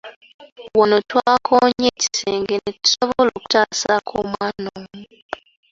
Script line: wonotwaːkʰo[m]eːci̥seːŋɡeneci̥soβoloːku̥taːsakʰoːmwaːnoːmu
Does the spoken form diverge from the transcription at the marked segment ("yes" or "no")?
yes